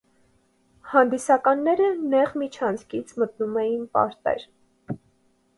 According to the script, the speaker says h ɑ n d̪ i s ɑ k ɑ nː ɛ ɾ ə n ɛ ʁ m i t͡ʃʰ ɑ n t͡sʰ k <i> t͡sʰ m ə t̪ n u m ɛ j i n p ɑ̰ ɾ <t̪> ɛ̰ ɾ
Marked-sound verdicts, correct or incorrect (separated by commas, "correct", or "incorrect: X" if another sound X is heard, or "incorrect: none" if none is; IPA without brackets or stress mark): correct, correct